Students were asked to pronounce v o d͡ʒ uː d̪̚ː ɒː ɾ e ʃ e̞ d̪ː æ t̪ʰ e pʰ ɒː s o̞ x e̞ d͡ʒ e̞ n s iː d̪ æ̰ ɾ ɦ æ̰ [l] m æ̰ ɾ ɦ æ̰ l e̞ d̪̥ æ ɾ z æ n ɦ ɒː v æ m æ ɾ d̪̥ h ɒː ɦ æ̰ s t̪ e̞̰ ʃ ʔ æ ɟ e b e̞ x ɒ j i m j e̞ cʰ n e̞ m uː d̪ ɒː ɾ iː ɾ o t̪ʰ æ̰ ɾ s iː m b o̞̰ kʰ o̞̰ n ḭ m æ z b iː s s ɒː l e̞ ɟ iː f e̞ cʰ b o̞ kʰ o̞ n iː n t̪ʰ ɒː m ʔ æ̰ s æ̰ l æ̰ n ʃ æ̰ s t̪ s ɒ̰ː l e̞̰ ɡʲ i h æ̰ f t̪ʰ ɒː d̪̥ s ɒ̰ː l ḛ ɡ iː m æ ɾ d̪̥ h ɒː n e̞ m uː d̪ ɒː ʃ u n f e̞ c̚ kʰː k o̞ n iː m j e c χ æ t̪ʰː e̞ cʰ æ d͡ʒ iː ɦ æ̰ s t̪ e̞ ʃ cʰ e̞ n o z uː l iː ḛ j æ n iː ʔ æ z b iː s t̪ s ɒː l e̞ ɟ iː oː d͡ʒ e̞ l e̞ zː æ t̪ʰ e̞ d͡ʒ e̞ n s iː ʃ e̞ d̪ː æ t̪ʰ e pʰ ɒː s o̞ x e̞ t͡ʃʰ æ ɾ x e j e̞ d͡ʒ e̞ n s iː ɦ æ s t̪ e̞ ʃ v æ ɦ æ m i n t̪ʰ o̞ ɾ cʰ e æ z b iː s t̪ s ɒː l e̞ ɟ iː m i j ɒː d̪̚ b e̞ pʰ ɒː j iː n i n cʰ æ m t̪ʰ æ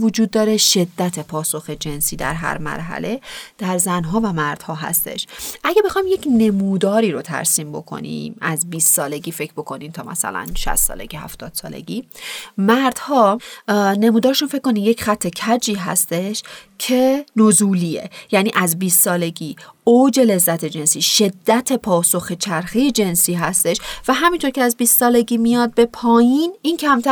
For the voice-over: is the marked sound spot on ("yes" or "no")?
no